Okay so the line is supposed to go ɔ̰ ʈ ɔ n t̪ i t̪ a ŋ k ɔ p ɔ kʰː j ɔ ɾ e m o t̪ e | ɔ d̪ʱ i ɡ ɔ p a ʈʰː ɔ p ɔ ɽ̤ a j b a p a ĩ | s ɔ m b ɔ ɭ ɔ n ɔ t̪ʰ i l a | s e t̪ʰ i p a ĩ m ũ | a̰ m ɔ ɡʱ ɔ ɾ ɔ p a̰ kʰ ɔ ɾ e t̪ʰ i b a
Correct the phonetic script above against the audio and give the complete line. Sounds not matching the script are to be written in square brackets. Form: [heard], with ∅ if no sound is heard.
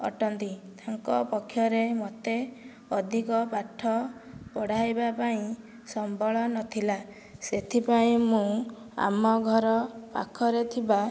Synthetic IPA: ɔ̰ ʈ ɔ n t̪ i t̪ a ŋ k ɔ p ɔ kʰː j ɔ ɾ e m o t̪ e | ɔ d̪ʱ i [k] ɔ p a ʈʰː ɔ p ɔ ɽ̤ a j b a p a ĩ | s ɔ m b ɔ ɭ ɔ n ɔ t̪ʰ i l a | s e t̪ʰ i p a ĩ m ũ | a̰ m ɔ ɡʱ ɔ ɾ ɔ p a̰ kʰ ɔ ɾ e t̪ʰ i b a